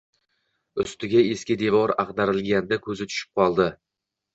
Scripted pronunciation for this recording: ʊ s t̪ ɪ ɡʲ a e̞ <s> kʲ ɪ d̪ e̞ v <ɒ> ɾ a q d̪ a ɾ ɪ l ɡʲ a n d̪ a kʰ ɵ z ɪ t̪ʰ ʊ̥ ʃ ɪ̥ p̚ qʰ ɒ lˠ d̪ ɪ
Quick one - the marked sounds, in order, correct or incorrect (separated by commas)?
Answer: correct, correct